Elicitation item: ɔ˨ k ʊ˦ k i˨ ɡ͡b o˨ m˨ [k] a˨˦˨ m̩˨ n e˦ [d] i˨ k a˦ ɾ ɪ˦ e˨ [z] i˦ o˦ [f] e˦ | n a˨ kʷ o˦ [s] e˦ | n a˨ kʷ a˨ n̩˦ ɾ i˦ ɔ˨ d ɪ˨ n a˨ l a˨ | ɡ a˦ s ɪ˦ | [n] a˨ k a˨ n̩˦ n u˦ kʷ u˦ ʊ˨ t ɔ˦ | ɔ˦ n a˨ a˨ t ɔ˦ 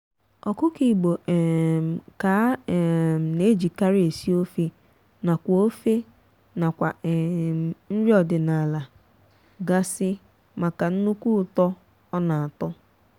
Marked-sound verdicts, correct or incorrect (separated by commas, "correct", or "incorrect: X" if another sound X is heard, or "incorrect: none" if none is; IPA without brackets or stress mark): correct, incorrect: d͡ʒ, incorrect: s, correct, incorrect: f, incorrect: m